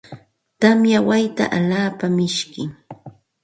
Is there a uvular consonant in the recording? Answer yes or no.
no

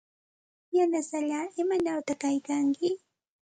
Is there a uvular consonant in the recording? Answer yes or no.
no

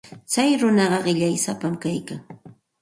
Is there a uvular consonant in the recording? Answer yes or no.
yes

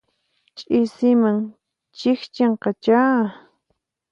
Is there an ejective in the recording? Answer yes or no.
yes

